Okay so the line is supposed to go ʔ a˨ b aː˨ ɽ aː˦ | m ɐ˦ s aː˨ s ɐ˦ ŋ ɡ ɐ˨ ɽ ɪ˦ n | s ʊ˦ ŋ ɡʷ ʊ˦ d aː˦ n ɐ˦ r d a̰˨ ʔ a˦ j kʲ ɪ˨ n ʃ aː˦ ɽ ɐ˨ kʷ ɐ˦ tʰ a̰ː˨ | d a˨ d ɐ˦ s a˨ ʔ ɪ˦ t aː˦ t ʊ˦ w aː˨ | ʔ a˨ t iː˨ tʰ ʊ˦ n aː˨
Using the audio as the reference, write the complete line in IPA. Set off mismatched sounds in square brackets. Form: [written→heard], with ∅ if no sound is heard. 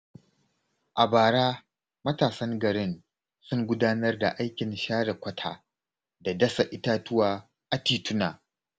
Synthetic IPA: ʔ a˨ b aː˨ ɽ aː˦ | m ɐ˦ [s→t] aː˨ s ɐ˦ ŋ ɡ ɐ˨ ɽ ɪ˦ n | s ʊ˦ ŋ ɡʷ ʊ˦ d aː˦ n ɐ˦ r d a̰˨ ʔ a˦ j kʲ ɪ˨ n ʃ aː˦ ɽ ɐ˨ kʷ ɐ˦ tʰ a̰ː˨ | d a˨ d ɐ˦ s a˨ ʔ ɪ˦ t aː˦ t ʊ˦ w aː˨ | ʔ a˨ t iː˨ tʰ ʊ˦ n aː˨